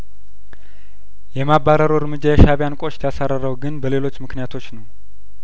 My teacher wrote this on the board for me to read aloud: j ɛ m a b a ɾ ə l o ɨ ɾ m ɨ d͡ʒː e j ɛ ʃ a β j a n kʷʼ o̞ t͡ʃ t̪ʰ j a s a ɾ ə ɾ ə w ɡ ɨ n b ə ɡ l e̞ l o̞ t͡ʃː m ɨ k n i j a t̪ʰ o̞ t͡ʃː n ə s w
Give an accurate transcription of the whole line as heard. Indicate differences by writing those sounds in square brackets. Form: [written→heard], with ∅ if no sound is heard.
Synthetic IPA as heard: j ɛ m a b a ɾ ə [l→ɾ] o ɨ ɾ m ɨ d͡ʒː [e→a] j ɛ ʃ a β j a n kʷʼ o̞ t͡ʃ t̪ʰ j a s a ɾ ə ɾ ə w ɡ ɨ n b ə [ɡ→∅] l e̞ l o̞ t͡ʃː m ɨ k n i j a t̪ʰ o̞ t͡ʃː n ə [s→∅] w